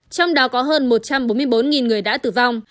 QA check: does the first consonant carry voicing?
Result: no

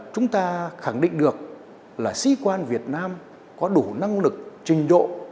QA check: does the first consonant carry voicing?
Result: no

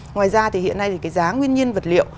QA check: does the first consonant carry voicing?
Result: yes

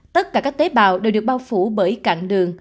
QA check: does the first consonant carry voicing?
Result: no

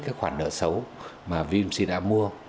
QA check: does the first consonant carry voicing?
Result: no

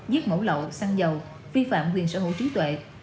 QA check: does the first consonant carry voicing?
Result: yes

